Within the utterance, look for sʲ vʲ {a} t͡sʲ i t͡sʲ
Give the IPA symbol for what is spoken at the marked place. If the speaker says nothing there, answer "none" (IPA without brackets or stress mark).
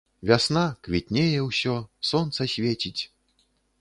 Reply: e